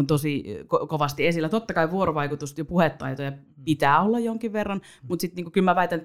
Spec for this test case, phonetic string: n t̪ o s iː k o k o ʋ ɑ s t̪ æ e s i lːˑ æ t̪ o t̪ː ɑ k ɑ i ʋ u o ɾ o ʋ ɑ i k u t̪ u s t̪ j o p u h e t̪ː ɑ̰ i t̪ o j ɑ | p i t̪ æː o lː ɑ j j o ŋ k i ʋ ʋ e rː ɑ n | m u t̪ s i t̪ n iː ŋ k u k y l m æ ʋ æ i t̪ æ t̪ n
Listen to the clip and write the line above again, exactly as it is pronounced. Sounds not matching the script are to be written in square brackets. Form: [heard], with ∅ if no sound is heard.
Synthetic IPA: n t̪ o s [i] k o k o ʋ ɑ s t̪ [i] e s i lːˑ æ t̪ o t̪ː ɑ k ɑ i ʋ u o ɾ o ʋ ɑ i k u t̪ u s t̪ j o p u h e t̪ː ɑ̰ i t̪ o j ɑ | p i t̪ æː o lː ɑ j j o ŋ k i ʋ ʋ e rː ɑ n | m u t̪ s i t̪ n iː ŋ k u k y l m æ ʋ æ i t̪ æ [∅] n